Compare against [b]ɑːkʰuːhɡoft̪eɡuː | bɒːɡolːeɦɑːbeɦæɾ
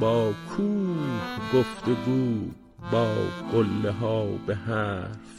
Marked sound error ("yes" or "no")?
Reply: no